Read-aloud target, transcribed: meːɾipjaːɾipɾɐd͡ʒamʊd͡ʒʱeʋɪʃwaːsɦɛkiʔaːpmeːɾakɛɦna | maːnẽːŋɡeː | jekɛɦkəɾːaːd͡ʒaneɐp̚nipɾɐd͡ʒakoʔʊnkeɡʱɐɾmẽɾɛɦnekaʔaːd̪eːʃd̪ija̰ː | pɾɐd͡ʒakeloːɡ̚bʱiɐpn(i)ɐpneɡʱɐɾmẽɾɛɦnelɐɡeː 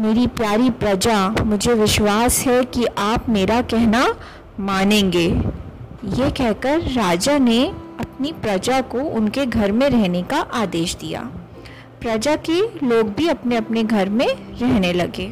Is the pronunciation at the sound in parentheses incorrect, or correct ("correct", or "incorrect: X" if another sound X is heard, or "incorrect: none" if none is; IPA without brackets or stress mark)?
incorrect: e